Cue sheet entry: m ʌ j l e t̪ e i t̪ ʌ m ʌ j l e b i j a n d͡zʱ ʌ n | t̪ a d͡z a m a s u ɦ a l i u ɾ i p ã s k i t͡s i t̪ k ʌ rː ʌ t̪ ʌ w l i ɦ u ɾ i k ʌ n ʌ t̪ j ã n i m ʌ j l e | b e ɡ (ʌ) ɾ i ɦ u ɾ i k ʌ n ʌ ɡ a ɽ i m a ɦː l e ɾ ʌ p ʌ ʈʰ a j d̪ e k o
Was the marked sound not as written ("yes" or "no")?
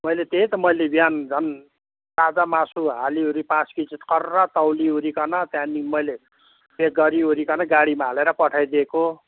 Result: no